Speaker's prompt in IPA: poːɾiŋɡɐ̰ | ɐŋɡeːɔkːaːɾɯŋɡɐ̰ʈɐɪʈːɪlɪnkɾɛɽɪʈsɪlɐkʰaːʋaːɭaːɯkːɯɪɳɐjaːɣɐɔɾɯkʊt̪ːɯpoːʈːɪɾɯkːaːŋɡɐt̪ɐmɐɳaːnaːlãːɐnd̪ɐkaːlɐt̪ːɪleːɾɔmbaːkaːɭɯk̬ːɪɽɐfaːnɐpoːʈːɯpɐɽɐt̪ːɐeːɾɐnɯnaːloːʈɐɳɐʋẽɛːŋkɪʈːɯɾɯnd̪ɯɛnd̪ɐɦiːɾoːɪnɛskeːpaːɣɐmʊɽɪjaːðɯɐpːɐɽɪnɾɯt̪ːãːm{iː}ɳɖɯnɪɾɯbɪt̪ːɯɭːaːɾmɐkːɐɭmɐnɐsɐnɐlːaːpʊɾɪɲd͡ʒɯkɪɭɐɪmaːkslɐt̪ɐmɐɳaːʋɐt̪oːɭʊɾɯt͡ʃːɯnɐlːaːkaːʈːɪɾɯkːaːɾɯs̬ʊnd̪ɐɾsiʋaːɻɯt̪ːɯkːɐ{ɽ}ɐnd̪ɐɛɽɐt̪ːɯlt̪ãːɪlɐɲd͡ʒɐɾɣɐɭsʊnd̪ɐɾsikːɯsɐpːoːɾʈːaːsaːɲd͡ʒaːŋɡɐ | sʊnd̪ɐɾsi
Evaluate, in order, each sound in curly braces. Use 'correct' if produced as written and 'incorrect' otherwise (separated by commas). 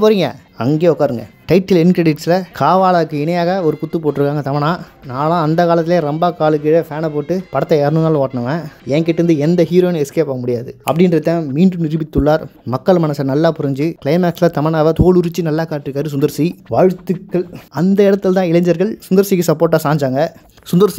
correct, incorrect